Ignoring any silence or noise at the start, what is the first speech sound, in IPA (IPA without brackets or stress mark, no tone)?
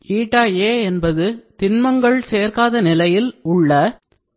iː